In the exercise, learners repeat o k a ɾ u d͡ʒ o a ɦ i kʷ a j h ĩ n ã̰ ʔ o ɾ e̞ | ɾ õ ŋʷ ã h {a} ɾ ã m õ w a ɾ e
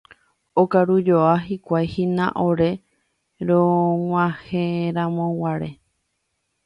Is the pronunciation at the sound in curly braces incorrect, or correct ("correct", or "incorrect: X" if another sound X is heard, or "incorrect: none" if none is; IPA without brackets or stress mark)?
incorrect: e